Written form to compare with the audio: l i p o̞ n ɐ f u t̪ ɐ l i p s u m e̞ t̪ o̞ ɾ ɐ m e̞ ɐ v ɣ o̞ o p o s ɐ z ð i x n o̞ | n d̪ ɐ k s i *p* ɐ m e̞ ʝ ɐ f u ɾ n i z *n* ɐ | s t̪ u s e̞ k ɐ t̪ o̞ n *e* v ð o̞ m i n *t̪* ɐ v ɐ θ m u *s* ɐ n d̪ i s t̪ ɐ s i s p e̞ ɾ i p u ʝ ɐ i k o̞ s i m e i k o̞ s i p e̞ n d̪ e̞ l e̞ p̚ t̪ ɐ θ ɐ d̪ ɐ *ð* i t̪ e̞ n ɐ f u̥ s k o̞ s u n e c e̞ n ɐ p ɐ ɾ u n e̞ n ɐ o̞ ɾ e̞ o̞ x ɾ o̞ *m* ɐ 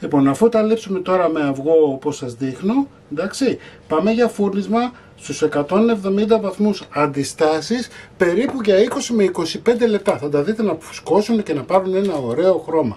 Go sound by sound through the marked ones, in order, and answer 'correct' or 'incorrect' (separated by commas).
correct, incorrect, correct, incorrect, correct, correct, correct